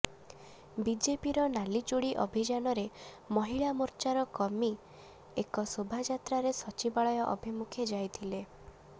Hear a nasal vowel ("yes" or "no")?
no